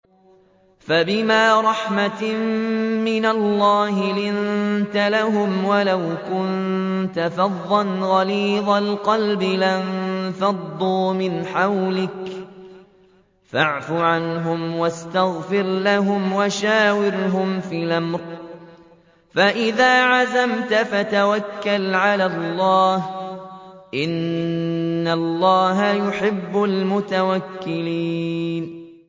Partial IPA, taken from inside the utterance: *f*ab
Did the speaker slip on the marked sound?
no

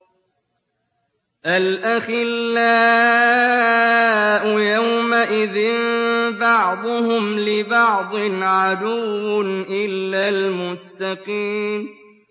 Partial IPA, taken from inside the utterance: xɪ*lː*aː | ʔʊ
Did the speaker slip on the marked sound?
no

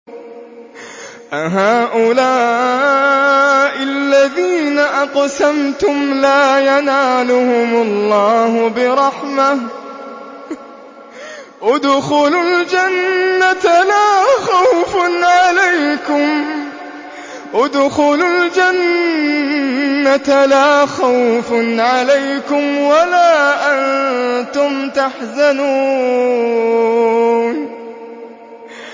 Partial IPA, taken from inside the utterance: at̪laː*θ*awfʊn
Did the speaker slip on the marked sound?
yes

